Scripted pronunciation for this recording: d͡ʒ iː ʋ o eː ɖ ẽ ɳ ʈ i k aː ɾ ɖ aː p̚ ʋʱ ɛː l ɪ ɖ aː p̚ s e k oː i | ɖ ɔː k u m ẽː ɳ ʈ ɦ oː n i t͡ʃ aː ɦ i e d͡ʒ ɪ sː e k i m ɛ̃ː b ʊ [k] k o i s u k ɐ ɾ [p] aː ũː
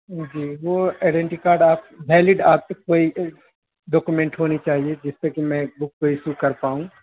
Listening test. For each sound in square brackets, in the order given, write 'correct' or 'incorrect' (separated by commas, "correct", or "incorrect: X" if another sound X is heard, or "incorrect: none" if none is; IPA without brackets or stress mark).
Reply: correct, correct